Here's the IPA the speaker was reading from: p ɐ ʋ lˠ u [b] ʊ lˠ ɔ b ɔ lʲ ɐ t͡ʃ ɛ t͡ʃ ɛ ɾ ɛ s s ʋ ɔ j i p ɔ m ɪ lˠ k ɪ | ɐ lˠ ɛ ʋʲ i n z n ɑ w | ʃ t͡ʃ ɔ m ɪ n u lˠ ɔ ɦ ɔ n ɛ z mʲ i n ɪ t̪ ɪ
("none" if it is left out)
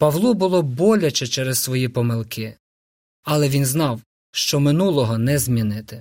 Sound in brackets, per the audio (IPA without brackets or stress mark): b